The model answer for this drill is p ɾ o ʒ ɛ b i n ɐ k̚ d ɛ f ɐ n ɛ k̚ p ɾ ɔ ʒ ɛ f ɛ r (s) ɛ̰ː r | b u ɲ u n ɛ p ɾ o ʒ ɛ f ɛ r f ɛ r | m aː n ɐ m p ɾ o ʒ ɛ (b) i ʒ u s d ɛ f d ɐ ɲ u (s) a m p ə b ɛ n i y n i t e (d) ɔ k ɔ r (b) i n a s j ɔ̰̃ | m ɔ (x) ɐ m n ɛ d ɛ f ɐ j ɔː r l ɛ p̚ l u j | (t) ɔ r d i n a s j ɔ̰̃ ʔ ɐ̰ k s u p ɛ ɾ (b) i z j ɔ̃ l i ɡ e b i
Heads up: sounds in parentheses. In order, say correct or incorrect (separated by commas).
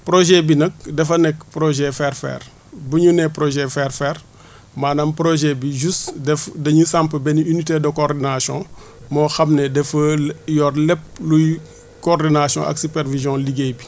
incorrect, correct, correct, correct, incorrect, correct, incorrect, incorrect